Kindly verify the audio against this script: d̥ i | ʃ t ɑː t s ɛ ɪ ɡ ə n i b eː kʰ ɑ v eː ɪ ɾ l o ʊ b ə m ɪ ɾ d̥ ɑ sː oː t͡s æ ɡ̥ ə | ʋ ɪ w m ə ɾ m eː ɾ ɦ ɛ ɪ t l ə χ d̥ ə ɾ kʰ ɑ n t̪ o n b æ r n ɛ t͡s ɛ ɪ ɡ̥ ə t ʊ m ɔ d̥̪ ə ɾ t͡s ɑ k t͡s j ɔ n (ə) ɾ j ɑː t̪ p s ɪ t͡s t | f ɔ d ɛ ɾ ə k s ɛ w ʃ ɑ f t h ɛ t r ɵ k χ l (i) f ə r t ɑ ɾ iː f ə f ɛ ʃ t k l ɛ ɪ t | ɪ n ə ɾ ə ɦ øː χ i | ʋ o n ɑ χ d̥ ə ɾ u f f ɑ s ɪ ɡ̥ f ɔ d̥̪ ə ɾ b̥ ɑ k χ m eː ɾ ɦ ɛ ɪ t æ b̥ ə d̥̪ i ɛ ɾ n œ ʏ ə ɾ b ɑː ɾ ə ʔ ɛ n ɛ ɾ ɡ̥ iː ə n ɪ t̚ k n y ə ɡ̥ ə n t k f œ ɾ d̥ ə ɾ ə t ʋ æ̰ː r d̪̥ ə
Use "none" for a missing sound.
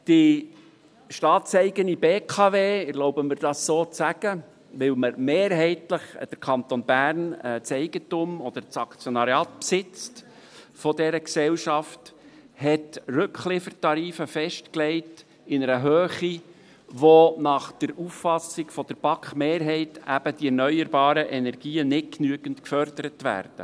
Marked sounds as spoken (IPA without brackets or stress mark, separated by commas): ɑ, ɪ